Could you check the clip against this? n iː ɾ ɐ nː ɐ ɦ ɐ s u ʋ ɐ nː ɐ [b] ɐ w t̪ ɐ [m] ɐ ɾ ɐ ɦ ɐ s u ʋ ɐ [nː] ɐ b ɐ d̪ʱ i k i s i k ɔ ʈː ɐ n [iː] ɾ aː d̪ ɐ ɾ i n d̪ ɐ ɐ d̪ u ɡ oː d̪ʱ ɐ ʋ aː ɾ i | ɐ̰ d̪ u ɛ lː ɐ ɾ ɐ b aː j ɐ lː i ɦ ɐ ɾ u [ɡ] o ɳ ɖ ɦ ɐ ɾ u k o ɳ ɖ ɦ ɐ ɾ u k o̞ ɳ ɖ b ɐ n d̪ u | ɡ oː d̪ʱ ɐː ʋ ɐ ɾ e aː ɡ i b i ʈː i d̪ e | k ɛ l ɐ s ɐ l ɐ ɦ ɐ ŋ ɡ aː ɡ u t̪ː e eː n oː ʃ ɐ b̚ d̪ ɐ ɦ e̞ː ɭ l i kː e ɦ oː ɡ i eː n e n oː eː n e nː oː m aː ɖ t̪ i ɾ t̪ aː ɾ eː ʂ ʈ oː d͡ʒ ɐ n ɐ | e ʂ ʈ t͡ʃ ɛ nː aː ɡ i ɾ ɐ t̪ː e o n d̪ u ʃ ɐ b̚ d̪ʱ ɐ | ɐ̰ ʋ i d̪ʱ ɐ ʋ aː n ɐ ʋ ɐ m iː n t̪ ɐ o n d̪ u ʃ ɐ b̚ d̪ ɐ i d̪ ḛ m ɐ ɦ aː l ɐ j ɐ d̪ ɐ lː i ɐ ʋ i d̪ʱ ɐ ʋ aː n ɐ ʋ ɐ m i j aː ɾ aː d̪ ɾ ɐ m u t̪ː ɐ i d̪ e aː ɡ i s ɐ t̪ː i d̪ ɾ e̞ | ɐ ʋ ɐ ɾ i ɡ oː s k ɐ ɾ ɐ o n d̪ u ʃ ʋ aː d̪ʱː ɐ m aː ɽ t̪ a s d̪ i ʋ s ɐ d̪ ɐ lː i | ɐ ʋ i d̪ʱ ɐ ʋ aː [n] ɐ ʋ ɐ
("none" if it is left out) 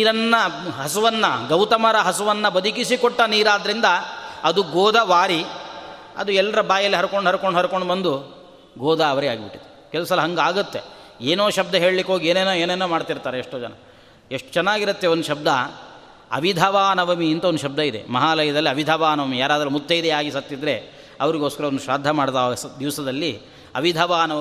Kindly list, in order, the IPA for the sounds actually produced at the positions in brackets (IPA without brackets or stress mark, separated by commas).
ɡ, m, nː, iː, k, n